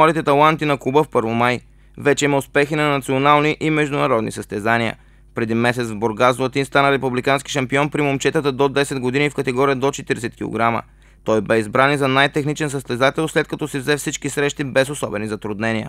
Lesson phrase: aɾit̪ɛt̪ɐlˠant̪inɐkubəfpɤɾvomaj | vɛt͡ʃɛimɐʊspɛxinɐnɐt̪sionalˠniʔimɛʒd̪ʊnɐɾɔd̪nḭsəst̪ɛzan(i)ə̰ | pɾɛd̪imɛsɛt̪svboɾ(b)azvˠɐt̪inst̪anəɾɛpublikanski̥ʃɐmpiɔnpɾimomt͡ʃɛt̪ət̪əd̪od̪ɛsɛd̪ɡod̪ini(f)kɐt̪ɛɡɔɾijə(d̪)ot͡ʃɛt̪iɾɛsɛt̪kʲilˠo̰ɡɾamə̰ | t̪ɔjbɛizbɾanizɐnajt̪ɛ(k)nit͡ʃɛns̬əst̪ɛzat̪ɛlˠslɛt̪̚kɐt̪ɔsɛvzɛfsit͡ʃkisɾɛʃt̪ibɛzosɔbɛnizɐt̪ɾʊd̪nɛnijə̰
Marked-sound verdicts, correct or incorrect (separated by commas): correct, incorrect, correct, correct, incorrect